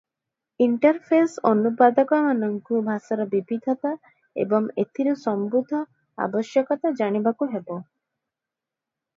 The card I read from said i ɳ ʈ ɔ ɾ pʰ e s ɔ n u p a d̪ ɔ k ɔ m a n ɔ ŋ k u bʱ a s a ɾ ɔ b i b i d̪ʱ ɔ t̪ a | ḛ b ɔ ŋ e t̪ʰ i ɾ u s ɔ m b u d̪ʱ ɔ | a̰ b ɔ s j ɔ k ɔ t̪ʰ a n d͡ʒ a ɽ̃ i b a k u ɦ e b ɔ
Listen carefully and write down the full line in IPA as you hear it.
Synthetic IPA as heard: i ɳ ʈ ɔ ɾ pʰ e s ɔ n u p a d̪ ɔ k ɔ m a n ɔ ŋ k u bʱ a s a ɾ ɔ b i b i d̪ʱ ɔ t̪ a | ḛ b ɔ ŋ e t̪ʰ i ɾ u s ɔ m b u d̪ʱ ɔ | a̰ b ɔ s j ɔ k ɔ t̪ a d͡ʒ a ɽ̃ i b a k u ɦ e b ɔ

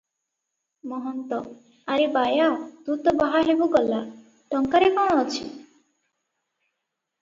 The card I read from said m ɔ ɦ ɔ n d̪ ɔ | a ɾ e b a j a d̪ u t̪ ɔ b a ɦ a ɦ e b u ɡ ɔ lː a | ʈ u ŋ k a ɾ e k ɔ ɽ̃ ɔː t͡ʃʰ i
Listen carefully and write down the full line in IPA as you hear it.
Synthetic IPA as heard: m ɔ ɦ ɔ n t̪ ɔ | a ɾ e b a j a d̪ u t̪ ɔ b a ɦ a ɦ e b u ɡ ɔ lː a | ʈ ɔ ŋ k a ɾ e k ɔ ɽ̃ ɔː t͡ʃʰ i

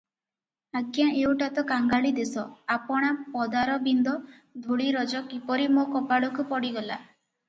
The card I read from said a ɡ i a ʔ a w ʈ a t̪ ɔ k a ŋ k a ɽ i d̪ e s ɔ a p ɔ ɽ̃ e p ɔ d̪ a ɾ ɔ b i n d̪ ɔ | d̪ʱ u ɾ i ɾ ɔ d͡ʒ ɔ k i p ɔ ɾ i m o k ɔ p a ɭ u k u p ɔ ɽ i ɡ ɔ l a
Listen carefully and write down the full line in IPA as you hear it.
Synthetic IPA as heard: a ɡ j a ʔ e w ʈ a t̪ ɔ k a ŋ ɡ a ɭ i d̪ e s ɔ a p ɔ ɽ̃ a p ɔ d̪ a ɾ ɔ b i n d̪ ɔ | d̪ʱ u ɭ i ɾ ɔ d͡ʒ ɔ k i p ɔ ɾ i m o k ɔ p a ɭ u k u p ɔ ɽ i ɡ ɔ l a

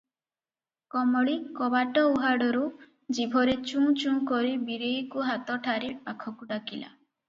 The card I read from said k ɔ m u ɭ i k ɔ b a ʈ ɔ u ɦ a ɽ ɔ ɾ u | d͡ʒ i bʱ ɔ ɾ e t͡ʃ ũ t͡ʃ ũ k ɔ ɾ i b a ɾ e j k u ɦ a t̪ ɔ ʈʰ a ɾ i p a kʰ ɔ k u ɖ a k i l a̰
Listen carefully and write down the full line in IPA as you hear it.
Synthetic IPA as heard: k ɔ m ɔ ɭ i k ɔ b a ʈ ɔ u ɦ a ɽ ɔ ɾ u | d͡ʒ i bʱ ɔ ɾ e t͡ʃ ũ t͡ʃ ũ k ɔ ɾ i b i ɾ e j k u ɦ a t̪ ɔ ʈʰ a ɾ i p a kʰ ɔ k u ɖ a k i l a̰

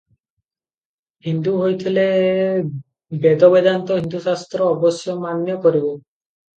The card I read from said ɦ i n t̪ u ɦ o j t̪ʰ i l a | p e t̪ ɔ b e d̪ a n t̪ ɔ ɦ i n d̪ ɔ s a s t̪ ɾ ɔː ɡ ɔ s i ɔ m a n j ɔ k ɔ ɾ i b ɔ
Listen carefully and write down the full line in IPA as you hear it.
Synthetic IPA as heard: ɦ i n d̪ u ɦ o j t̪ʰ i l e | b e d̪ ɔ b e d̪ a n t̪ ɔ ɦ i n d̪ u s a s t̪ ɾ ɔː b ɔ s j ɔ m a n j ɔ k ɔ ɾ i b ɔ

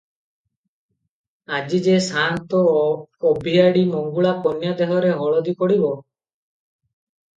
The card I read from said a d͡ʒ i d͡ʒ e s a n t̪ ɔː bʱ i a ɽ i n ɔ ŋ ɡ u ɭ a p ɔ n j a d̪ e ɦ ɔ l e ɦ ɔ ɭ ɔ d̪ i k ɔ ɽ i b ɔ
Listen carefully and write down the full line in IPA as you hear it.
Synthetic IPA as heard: a d͡ʒ i d͡ʒ e s a n t̪ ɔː bʱ i a ɽ i m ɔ ŋ ɡ u ɭ a p ɔ n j a d̪ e ɦ ɔ ɾ e ɦ ɔ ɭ ɔ d̪ i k ɔ ɽ i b ɔ

